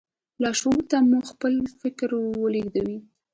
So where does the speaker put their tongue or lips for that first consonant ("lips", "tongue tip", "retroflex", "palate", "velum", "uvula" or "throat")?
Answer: tongue tip